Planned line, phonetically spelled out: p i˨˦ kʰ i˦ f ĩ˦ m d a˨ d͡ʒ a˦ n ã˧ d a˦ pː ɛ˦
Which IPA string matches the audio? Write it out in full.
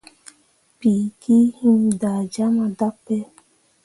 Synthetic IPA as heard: p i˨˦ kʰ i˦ h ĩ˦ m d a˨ d͡ʒ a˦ m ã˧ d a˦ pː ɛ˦